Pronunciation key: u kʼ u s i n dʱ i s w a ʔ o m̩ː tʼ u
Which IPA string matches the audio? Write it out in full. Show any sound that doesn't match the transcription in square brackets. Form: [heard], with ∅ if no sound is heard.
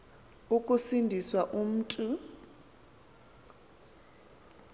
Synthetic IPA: u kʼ u s i n dʱ i s w a ʔ [u] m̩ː tʼ u